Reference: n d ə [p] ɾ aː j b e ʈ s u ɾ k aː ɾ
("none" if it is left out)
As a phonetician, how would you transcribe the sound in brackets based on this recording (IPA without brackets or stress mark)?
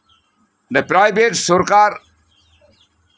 p